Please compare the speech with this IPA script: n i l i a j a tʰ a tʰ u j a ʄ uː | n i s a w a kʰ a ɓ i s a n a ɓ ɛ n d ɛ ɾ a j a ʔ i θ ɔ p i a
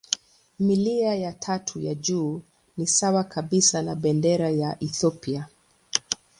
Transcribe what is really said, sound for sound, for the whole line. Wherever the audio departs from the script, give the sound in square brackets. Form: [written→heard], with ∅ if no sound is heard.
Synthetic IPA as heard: [n→m] i l i a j a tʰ a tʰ u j a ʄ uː | n i s a w a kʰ a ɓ i s a n a ɓ ɛ n d ɛ ɾ a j a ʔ i θ ɔ p i a